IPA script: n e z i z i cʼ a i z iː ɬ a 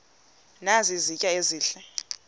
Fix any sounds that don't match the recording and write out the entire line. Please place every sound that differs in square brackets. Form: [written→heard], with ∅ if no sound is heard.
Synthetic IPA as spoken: n [e→a] z i z i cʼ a [i→e] z iː ɬ [a→ɛ]